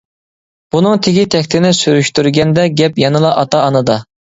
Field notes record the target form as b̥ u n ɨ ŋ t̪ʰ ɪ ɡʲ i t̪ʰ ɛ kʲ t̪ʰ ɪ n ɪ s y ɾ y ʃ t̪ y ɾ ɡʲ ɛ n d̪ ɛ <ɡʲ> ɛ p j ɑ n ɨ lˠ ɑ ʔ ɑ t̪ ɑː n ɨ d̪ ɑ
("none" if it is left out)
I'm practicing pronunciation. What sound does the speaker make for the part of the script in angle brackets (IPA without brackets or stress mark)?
ɡʲ